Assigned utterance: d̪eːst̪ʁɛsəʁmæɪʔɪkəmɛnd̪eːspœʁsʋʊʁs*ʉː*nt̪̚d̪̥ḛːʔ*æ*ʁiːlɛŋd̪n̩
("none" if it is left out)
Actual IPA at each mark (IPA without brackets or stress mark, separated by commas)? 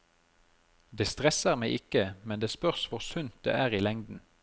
ʉ, æː